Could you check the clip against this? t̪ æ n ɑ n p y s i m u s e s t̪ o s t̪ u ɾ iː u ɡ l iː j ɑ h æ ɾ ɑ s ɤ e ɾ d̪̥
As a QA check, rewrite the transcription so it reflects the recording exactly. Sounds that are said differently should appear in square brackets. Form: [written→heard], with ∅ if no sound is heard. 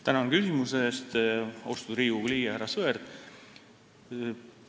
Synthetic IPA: t̪ æ n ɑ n [p→k] y s i m u s e s t̪ o s t̪ u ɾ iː u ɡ l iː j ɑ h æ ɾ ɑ s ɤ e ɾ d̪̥

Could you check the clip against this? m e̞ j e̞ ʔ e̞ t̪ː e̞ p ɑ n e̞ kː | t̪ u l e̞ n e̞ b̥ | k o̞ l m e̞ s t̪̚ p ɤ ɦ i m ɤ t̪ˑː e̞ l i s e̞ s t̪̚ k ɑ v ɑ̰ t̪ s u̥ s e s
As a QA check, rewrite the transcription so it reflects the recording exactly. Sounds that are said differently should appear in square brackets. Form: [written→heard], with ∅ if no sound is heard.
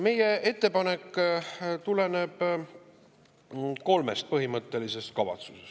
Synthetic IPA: m e̞ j e̞ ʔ e̞ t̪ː e̞ p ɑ n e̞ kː | t̪ u l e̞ n e̞ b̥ | k o̞ l m e̞ s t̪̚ p ɤ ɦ i m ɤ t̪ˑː e̞ l i s e̞ s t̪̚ k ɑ v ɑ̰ t̪ s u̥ s e s

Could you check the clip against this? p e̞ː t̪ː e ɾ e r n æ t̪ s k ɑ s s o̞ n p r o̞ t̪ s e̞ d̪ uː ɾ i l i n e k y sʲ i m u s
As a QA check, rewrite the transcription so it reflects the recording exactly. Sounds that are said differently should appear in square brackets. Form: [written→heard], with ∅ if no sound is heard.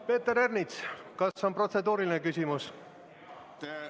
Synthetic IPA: p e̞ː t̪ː e ɾ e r n [æ→i] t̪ s k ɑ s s o̞ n p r o̞ t̪ s e̞ d̪ uː ɾ i l i n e k y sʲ i m u s

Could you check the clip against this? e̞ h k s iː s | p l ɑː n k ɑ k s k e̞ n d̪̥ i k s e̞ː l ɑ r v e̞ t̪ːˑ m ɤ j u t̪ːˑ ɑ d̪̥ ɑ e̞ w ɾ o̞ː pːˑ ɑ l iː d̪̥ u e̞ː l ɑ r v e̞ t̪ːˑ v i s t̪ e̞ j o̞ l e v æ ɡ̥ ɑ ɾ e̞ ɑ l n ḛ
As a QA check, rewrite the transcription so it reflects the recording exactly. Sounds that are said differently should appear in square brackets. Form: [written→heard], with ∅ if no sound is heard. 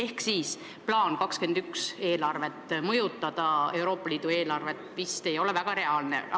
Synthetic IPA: e̞ h k s iː s | p l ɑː n k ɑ k s k e̞ n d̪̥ [i→y] k s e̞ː l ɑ r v e̞ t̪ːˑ m ɤ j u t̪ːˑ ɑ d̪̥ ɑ e̞ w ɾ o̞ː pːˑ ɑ l iː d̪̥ u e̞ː l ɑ r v e̞ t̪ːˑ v i s t̪ e̞ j o̞ l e v æ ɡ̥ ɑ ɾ e̞ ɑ l n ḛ

